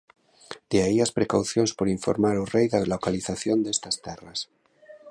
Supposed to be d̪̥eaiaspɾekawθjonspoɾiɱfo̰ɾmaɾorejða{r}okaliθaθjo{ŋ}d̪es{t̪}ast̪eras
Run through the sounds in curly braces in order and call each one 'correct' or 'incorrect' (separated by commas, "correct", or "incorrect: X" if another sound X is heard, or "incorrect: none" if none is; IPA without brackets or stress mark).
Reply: incorrect: l, incorrect: n, correct